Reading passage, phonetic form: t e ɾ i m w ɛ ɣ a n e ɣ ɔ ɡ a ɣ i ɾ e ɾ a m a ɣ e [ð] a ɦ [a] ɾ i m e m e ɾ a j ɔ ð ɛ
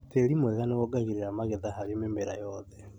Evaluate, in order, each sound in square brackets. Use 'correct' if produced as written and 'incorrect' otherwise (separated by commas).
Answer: correct, correct